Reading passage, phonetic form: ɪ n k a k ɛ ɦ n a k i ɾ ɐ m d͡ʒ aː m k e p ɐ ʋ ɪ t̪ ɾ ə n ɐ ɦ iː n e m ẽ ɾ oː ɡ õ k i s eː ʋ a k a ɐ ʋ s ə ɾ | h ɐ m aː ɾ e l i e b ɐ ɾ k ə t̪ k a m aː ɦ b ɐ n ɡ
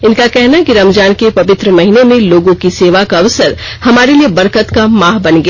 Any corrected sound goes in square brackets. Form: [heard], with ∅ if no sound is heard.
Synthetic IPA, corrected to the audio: ɪ n k a k ɛ ɦ n a k i ɾ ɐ m d͡ʒ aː [n] k e p ɐ ʋ ɪ t̪ ɾ ə [m] ɐ ɦ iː n e m ẽ [l] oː ɡ õ k i s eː ʋ a k a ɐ ʋ s ə ɾ | h ɐ m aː ɾ e l i e b ɐ ɾ k ə t̪ k a m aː ɦ b ɐ n ɡ